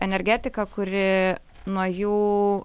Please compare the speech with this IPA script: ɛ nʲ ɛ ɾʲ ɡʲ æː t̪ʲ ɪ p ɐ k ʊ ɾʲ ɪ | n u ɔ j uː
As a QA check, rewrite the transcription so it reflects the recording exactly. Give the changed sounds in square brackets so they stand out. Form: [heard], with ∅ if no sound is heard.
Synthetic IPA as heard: ɛ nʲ ɛ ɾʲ ɡʲ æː t̪ʲ ɪ [k] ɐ k ʊ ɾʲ ɪ | n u ɔ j uː

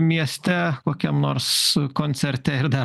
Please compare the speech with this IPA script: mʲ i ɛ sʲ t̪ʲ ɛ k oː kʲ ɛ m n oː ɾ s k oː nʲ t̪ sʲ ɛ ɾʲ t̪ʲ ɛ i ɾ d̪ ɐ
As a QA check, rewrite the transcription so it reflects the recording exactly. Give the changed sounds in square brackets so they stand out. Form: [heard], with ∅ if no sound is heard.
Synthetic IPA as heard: mʲ i ɛ sʲ t̪ʲ ɛ k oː kʲ ɛ m n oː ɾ s k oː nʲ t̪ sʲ ɛ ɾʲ t̪ʲ ɛ [ɪ] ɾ d̪ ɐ

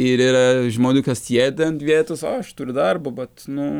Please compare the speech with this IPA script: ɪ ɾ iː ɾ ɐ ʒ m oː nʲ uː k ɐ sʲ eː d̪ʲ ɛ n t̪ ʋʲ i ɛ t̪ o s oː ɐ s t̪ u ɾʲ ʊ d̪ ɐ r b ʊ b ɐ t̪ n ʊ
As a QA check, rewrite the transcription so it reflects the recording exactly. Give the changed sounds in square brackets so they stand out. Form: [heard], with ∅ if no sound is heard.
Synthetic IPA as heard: ɪ ɾ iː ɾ ɐ ʒ m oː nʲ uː k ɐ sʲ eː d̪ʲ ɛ n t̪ ʋʲ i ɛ t̪ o s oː ɐ [ʃ] t̪ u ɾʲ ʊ d̪ ɐ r b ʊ b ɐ t̪ n ʊ

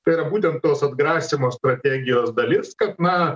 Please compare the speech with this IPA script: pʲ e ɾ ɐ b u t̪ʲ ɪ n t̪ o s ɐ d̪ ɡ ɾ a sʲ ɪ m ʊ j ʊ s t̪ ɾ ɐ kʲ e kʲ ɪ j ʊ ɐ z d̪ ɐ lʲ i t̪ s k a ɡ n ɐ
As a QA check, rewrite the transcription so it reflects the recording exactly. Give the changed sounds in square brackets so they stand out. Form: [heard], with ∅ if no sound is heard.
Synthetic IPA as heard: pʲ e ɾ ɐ b u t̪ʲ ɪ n t̪ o s ɐ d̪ ɡ ɾ a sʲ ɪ m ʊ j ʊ s t̪ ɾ ɐ [tʲ] e [ɡʲ] ɪ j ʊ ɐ z d̪ ɐ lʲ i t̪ s k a [k] n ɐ

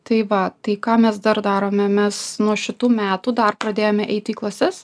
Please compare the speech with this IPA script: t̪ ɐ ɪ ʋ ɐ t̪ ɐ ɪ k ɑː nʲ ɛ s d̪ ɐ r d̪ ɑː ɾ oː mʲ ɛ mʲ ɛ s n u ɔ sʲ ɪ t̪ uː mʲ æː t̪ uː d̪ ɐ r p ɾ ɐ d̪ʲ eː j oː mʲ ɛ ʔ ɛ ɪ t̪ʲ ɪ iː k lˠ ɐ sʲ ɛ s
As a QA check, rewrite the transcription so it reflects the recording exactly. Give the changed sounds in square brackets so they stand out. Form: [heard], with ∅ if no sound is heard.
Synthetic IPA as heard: t̪ ɐ ɪ ʋ ɐ t̪ ɐ ɪ k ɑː [mʲ] ɛ s d̪ ɐ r d̪ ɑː ɾ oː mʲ ɛ mʲ ɛ s n u ɔ [ʃʲ] ɪ t̪ uː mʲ æː t̪ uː d̪ ɐ r p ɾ ɐ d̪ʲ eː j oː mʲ ɛ ʔ ɛ ɪ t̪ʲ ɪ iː k lˠ ɐ sʲ ɛ s

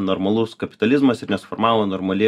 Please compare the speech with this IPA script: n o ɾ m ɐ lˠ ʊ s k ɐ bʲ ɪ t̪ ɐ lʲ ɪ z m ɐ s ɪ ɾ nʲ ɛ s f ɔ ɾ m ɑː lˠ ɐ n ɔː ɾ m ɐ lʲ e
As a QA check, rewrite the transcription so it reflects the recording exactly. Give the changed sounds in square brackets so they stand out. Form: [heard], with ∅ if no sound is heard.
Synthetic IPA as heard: n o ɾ m ɐ lˠ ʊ s k ɐ [pʲ] ɪ t̪ ɐ lʲ ɪ z m ɐ s ɪ ɾ nʲ ɛ s f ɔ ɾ m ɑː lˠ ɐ n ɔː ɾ m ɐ lʲ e

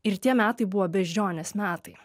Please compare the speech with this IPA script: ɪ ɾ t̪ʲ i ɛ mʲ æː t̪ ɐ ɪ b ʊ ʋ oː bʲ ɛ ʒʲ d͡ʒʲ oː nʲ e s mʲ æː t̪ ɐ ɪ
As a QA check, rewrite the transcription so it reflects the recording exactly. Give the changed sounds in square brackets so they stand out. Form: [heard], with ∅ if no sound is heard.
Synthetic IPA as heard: ɪ ɾ t̪ʲ i ɛ mʲ æː t̪ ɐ ɪ b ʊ ʋ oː bʲ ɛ ʒʲ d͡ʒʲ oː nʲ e s mʲ æː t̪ ɐ ɪ

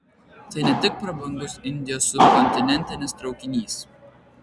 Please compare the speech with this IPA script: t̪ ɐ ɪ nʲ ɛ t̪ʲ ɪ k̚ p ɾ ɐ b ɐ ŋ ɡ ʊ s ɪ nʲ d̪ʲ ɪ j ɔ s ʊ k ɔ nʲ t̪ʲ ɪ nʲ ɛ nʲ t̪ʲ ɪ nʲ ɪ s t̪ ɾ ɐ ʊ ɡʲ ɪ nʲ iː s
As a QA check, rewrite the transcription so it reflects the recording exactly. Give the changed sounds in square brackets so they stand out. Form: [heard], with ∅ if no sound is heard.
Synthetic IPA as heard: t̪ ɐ ɪ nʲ ɛ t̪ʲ ɪ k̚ p ɾ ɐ b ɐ ŋ ɡ ʊ s ɪ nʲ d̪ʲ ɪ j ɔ s ʊ k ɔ nʲ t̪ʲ ɪ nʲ ɛ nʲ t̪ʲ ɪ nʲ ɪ s t̪ ɾ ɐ ʊ [kʲ] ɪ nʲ iː s

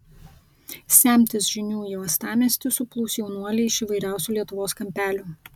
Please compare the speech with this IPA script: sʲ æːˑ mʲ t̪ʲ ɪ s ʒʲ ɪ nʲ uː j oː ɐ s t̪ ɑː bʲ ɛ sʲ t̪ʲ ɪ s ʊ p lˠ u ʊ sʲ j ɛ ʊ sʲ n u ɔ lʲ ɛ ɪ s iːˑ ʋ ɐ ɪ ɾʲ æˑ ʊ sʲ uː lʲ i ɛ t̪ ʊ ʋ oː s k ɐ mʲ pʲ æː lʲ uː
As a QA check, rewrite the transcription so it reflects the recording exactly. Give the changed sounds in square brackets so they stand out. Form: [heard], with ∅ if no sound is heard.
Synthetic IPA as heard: sʲ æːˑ mʲ t̪ʲ ɪ s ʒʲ ɪ nʲ uː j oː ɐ s t̪ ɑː [mʲ] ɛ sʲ t̪ʲ ɪ s ʊ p lˠ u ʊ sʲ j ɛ ʊ [∅] n u ɔ lʲ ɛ ɪ [ʃ] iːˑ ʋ ɐ ɪ ɾʲ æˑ ʊ sʲ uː lʲ i ɛ t̪ ʊ ʋ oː s k ɐ mʲ pʲ æː lʲ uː

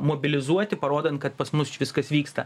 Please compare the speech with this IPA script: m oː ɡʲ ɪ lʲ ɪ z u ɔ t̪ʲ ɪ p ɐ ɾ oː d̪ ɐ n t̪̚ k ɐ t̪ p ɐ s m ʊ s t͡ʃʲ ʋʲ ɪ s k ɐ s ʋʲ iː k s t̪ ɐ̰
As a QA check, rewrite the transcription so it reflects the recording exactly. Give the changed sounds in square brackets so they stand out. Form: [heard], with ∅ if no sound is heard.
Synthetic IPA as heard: m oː [bʲ] ɪ lʲ ɪ z u ɔ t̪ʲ ɪ p ɐ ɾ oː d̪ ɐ n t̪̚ k ɐ t̪ p ɐ s m ʊ s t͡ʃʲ ʋʲ ɪ s k ɐ s ʋʲ iː k s t̪ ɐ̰

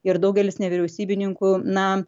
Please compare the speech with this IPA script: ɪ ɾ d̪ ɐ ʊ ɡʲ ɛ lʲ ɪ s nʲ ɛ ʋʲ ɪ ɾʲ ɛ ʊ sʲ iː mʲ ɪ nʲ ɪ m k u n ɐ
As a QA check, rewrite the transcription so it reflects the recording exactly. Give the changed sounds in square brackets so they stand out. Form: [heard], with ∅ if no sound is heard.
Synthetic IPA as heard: ɪ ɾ d̪ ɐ ʊ ɡʲ ɛ lʲ ɪ s nʲ ɛ ʋʲ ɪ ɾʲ ɛ ʊ sʲ iː [bʲ] ɪ nʲ ɪ [ŋ] k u n ɐ

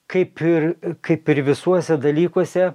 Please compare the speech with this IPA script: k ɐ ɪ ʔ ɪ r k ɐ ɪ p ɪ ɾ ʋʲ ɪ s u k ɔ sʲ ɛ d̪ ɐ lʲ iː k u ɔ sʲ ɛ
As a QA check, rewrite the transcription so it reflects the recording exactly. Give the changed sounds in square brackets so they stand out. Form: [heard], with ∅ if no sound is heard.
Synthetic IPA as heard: k ɐ ɪ [p] ɪ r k ɐ ɪ p ɪ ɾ ʋʲ ɪ s u [∅] ɔ sʲ ɛ d̪ ɐ lʲ iː k u ɔ sʲ ɛ

